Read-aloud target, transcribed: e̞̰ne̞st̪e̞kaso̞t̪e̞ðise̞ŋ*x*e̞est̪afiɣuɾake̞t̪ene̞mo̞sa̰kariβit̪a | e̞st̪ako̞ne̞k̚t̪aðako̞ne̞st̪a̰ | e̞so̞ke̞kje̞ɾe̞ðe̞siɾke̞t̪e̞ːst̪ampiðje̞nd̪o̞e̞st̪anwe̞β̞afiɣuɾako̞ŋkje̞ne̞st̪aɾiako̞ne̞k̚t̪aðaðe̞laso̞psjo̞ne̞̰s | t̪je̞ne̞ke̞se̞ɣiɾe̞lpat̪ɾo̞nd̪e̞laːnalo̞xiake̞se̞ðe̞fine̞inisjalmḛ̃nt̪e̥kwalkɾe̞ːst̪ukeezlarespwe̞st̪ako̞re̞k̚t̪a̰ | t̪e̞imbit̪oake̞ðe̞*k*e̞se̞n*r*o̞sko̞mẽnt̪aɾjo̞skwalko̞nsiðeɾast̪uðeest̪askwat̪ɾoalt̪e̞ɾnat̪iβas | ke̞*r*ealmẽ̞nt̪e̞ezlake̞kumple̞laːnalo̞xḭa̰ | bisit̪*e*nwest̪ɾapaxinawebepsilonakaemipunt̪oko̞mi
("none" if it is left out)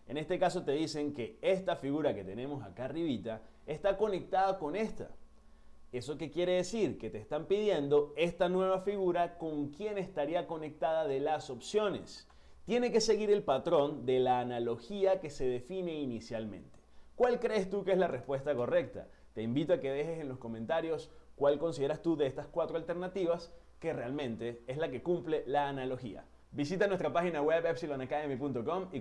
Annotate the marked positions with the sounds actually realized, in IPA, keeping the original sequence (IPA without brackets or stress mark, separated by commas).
k, x, l, r, a